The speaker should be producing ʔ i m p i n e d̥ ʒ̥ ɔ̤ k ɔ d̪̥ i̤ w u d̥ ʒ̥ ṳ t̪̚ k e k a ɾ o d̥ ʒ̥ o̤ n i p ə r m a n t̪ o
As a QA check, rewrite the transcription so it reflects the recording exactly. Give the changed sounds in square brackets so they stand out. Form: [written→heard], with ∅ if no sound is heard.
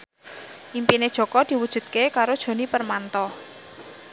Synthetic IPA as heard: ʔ i m p i n e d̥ ʒ̥ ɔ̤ k ɔ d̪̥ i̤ w u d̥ ʒ̥ ṳ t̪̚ k e k a ɾ o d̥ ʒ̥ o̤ n i p ə r m a n t̪ [o→ɔ]